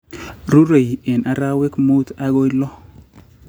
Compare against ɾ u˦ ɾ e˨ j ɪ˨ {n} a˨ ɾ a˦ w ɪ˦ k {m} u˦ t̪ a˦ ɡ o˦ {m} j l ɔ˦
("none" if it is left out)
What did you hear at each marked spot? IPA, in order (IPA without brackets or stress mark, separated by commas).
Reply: n, m, none